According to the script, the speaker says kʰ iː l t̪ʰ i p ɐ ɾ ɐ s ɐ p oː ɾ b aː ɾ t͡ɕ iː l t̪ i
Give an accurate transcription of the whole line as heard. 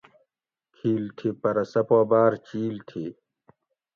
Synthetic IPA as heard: kʰ iː l t̪ʰ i p ɐ ɾ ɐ s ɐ p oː b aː ɾ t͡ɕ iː l t̪ʰ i